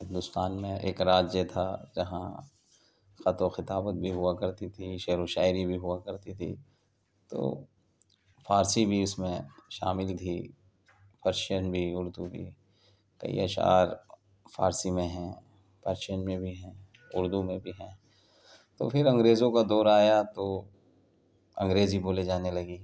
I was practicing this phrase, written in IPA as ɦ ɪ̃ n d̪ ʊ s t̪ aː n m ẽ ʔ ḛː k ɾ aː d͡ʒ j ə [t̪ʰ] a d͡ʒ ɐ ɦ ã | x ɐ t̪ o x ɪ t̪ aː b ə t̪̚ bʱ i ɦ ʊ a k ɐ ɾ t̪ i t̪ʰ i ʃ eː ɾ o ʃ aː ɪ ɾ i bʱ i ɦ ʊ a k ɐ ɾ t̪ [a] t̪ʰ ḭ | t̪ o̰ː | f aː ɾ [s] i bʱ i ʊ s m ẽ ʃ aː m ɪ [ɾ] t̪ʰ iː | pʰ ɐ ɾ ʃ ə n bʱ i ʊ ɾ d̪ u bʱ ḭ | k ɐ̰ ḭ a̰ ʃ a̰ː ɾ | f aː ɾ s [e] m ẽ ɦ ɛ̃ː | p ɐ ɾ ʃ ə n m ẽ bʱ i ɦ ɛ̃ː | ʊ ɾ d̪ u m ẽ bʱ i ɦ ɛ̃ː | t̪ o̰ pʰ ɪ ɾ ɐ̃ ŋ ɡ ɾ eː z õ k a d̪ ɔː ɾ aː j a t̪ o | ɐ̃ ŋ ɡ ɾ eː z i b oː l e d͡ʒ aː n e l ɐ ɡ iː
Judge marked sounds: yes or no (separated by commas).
yes, no, yes, no, no